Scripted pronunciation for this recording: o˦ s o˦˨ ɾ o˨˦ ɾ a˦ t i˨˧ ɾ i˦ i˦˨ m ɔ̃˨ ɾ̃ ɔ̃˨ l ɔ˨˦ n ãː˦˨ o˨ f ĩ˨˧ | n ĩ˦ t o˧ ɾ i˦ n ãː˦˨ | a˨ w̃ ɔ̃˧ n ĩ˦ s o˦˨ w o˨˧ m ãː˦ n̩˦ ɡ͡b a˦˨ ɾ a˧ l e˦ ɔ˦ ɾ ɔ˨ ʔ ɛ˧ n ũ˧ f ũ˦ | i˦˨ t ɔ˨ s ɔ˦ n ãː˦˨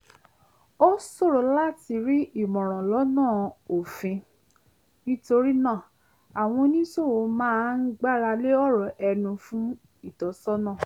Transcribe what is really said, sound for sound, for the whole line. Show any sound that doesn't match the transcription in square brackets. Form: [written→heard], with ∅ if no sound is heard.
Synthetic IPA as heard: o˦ s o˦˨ ɾ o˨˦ [ɾ→l] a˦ t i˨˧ ɾ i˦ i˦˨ m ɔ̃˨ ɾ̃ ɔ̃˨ l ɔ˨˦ n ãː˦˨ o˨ f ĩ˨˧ | n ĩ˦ t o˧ ɾ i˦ n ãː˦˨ | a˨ w̃ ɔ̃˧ n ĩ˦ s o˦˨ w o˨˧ m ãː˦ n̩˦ ɡ͡b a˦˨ ɾ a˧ l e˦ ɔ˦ ɾ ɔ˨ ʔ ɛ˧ n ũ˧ f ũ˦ | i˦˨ t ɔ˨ s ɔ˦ n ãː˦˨